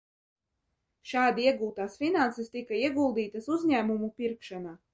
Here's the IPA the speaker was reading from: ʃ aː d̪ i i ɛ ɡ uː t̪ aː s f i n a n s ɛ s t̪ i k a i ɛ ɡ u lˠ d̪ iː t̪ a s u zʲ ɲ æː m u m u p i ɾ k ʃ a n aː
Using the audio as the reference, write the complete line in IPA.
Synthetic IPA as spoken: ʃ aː d̪ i i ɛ ɡ uː t̪ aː s f i n a n s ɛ s t̪ i k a i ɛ ɡ u lˠ d̪ iː t̪ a s u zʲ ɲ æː m u m u p i ɾ k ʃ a n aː

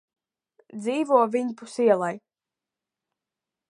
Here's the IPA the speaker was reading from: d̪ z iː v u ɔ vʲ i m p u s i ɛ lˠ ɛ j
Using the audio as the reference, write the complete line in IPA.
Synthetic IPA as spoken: d̪ z iː v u ɔ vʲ i ɲ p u s i ɛ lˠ a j

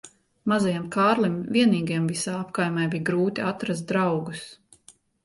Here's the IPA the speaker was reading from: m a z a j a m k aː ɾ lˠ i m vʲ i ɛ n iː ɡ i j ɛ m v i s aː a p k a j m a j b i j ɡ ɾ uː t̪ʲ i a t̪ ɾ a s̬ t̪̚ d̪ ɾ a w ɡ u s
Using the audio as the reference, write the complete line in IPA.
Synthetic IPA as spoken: m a z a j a m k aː ɾ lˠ i m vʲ i ɛ n iː ɡ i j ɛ m v i s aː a p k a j m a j b i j ɡ ɾ uː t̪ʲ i a t̪ ɾ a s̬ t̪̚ d̪ ɾ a w ɡ u s

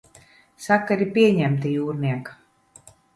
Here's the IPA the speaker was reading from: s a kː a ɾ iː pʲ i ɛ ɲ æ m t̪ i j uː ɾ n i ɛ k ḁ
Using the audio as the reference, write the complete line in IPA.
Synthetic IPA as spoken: s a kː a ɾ i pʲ i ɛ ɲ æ m t̪ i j uː ɾ n i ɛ k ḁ

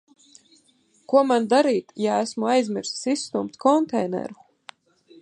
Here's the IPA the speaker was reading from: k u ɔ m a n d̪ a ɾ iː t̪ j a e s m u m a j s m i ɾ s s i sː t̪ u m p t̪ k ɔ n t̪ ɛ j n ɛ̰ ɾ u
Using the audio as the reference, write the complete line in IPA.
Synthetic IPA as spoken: k u ɔ m a n d̪ a ɾ iː t̪ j a æ s m u a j z m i ɾ s s i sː t̪ u m p t̪ k ɔ n t̪ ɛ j n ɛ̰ ɾ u

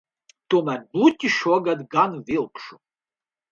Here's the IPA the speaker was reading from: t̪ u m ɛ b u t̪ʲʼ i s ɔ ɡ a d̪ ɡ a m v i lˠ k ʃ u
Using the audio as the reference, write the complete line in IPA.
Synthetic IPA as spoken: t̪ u m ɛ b u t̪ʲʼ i ʃ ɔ ɡ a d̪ ɡ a n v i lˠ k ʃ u

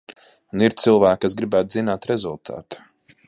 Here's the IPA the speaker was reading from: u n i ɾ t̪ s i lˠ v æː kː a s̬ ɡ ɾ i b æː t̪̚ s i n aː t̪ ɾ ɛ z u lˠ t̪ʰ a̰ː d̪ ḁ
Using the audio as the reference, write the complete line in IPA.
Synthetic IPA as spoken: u n i ɾ t̪ s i lˠ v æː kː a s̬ ɡ ɾ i b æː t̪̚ z i n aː t̪ ɾ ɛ z u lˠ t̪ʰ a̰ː t̪ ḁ

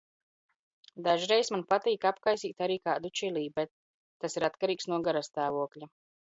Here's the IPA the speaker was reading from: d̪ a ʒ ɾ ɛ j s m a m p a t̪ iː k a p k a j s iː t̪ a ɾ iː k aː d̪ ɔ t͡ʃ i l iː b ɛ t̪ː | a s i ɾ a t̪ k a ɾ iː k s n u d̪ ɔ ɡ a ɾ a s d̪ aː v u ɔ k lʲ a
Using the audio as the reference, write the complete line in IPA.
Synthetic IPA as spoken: d̪ a ʒ ɾ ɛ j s m a n p a t̪ iː k a p k a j s iː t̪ a ɾ iː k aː d̪ u t͡ʃ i l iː b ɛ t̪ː | a s i ɾ a t̪ k a ɾ iː k s n u ɔ ɡ a ɾ a s t̪ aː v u ɔ k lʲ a

